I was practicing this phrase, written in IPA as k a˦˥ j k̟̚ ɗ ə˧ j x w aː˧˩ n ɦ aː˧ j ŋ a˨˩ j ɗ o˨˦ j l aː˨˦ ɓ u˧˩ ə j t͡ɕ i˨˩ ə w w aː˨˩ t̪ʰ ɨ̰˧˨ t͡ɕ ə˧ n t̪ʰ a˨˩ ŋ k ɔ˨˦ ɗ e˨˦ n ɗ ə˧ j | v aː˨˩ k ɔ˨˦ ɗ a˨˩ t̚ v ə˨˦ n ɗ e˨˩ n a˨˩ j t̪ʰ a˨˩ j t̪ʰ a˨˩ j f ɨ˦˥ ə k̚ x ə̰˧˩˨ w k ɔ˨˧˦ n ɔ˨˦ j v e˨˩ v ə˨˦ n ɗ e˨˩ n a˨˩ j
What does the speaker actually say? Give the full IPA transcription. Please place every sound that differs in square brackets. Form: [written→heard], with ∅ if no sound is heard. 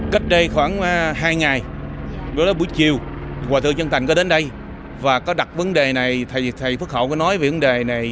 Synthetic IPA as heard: k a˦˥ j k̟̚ ɗ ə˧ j x w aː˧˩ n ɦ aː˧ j ŋ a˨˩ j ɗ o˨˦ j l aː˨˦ ɓ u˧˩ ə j t͡ɕ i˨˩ ə w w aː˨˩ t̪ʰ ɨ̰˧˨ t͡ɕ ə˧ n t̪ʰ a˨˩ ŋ k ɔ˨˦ ɗ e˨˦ n ɗ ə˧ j | v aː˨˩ k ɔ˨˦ ɗ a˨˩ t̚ v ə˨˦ n ɗ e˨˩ n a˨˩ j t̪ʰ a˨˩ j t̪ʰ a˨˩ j f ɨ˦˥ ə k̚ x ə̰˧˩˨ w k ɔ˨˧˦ n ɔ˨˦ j v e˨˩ v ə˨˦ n ɗ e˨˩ n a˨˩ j